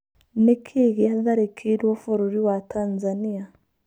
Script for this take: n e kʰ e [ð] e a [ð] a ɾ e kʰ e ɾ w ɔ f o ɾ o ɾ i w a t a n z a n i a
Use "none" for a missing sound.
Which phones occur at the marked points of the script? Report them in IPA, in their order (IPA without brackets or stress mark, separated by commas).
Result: ɣ, ð